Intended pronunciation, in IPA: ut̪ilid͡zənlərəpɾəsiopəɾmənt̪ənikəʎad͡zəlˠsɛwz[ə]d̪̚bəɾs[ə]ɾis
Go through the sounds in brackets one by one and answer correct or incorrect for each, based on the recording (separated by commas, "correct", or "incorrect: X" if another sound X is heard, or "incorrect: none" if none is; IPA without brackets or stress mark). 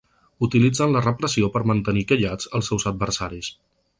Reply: correct, incorrect: a